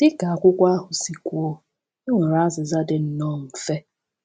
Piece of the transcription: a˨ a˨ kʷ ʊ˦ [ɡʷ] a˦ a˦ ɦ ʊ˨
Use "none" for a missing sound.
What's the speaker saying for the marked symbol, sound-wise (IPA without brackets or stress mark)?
kʷ